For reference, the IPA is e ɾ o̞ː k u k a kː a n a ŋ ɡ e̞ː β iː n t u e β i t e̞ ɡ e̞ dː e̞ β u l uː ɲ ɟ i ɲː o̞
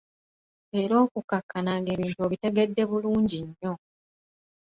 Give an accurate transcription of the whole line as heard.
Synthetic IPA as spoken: e ɾ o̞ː k u k a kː a n a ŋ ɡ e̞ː β iː n t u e β i t e̞ ɡ e̞ dː e̞ β u l uː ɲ ɟ i ɲː o̞